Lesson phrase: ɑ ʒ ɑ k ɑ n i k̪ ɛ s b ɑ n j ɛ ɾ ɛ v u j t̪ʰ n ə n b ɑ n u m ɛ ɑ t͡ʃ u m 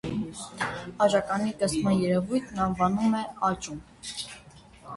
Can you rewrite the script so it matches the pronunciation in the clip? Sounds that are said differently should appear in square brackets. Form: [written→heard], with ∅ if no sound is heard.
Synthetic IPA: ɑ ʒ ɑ k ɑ n i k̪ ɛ s [b→m] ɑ n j ɛ ɾ ɛ v u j t̪ʰ n [ə→ɑ] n [b→v] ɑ n u m ɛ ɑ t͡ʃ u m